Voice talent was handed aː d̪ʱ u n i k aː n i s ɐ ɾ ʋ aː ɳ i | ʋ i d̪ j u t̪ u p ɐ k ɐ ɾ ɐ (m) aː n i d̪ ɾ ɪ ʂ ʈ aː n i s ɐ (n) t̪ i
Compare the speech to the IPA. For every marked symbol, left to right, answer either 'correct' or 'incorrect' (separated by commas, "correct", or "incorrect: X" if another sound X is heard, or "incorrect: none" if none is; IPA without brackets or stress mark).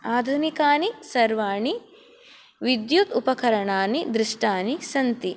incorrect: ɳ, correct